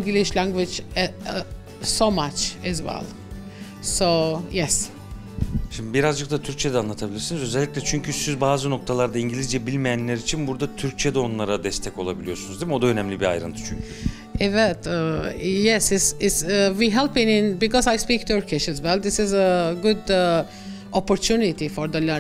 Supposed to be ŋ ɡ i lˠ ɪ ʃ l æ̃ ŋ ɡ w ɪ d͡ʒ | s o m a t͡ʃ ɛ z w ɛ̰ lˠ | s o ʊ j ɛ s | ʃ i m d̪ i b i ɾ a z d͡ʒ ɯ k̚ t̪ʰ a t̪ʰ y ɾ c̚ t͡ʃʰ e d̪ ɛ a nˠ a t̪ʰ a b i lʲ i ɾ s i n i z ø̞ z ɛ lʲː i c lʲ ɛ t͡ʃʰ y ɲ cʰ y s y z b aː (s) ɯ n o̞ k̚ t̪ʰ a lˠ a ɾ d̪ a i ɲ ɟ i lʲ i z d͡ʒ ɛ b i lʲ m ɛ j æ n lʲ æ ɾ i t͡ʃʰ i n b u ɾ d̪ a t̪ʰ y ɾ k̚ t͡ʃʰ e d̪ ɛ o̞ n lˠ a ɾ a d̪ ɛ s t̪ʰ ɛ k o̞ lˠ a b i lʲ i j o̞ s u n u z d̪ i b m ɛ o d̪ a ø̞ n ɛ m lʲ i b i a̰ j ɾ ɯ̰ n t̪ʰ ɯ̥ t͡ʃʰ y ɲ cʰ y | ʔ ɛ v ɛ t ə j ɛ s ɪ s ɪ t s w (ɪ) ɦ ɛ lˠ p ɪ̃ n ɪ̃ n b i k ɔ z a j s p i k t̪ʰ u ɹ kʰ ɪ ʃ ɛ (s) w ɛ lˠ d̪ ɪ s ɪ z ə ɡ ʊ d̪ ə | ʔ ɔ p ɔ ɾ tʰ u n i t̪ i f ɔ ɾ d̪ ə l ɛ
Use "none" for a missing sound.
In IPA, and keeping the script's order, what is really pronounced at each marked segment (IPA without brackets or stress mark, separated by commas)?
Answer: z, i, z